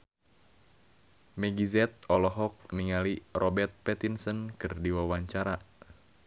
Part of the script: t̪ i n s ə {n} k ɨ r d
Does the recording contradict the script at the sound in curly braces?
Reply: no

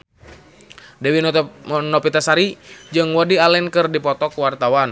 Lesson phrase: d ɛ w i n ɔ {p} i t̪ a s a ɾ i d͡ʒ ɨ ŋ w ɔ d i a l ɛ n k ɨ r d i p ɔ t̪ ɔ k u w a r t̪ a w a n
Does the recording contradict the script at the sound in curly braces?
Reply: no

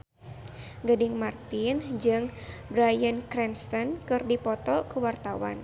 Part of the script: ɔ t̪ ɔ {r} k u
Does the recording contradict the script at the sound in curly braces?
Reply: yes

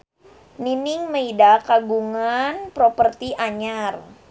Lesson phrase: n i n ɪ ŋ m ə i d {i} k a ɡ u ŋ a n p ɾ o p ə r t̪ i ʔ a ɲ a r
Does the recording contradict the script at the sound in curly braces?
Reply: yes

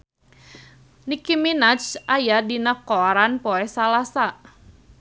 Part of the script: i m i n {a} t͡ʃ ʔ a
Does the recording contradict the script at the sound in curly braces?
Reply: no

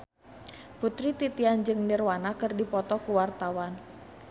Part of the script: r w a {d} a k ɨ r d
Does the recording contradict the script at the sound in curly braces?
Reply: yes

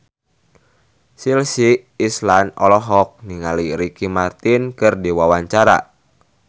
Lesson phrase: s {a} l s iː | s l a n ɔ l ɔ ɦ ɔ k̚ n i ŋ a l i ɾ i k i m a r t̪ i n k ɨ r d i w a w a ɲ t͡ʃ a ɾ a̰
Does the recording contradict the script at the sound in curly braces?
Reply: yes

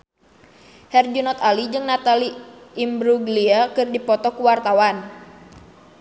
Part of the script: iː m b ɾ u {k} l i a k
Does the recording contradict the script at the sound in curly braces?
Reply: yes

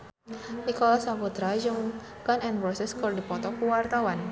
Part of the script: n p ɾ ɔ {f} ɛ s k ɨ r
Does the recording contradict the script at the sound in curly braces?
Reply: yes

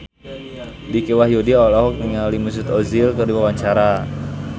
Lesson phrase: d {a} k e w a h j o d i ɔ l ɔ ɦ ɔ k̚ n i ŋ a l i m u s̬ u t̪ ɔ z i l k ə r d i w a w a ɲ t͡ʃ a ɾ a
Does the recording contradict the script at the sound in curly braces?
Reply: yes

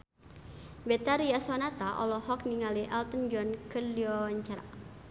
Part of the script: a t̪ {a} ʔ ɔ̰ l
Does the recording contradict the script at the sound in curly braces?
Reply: no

